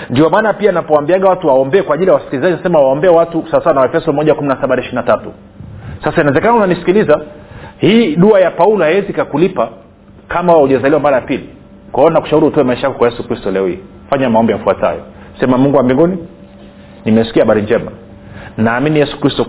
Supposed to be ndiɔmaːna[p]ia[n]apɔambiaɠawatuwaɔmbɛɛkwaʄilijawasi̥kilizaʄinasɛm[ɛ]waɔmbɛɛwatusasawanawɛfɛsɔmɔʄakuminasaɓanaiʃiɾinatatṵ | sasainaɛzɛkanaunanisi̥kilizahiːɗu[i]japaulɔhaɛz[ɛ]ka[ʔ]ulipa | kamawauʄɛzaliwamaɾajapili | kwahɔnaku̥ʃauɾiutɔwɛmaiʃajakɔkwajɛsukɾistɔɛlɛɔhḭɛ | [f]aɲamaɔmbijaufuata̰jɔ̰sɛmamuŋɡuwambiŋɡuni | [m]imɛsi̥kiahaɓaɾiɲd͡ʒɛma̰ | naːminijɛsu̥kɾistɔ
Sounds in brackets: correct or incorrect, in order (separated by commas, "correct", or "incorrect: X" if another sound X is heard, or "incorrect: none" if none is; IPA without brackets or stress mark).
correct, correct, incorrect: a, incorrect: a, incorrect: i, incorrect: k, correct, incorrect: n